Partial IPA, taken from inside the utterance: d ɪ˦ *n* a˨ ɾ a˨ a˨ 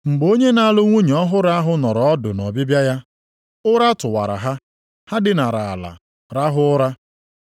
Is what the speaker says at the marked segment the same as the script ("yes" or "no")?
yes